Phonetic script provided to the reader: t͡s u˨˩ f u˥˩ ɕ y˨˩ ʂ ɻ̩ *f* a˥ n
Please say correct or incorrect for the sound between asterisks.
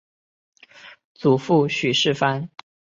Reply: correct